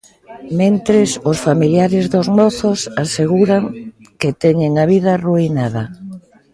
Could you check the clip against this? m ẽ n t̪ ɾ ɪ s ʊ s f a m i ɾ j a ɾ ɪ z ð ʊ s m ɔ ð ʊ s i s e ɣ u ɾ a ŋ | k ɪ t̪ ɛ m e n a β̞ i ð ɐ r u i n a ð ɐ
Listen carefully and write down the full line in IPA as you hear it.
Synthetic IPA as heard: m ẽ n t̪ ɾ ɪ s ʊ s f a m i l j a ɾ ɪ z ð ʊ z m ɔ θ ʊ s a s e ɣ u ɾ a ŋ | k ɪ t̪ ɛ ɲ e ŋ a β̞ i ð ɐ r u i n a ð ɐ